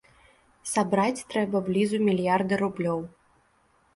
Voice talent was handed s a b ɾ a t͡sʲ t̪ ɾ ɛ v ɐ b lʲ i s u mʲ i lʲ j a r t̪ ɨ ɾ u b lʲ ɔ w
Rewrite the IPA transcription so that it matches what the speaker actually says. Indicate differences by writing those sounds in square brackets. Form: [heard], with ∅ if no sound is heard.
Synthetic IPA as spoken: s a b ɾ a t͡sʲ t̪ ɾ ɛ [b] ɐ b lʲ i [z] u mʲ i lʲ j a r [d̪] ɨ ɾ u b lʲ ɔ w